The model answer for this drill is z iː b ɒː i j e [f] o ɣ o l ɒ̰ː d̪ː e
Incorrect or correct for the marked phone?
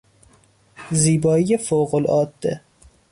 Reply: correct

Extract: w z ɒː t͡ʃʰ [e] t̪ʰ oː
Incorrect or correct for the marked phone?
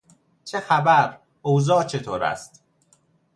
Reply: correct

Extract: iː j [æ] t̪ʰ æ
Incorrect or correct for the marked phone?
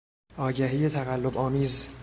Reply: incorrect: e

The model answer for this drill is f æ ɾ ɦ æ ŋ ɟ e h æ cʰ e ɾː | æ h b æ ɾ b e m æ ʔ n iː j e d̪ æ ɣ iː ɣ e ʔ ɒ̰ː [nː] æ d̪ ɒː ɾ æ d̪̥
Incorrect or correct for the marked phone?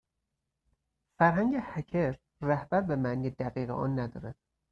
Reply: correct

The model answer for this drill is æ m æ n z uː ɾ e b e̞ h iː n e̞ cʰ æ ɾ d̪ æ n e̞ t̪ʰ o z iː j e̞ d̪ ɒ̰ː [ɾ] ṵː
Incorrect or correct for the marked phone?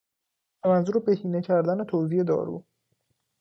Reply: correct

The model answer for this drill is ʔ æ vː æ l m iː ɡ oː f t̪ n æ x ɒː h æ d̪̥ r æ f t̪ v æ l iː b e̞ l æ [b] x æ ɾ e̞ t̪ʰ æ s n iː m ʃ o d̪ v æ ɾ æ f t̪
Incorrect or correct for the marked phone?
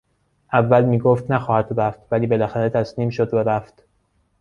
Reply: incorrect: none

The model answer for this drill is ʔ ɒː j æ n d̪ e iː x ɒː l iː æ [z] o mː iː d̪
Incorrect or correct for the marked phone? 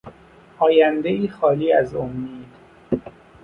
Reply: correct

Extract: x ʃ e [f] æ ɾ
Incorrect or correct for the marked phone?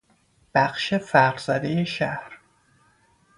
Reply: correct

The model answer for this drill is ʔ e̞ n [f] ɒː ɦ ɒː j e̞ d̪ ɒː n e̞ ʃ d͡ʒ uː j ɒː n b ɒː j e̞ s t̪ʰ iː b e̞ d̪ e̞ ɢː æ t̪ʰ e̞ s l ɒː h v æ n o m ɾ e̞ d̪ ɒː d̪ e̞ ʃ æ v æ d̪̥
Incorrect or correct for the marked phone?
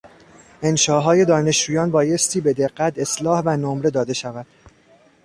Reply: incorrect: ʃ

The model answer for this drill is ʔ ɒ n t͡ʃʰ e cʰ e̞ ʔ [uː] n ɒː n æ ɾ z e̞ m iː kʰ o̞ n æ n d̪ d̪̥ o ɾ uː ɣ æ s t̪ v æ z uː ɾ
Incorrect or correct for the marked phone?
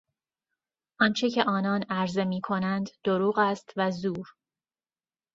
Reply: incorrect: ɒː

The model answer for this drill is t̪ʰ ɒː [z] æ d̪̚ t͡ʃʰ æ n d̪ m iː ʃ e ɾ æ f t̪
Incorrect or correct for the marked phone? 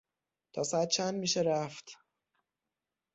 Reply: incorrect: s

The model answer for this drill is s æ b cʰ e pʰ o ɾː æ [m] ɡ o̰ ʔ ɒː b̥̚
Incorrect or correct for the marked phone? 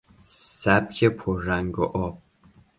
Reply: incorrect: ŋ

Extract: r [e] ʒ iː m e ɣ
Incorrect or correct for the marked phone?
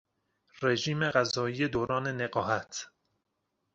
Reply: correct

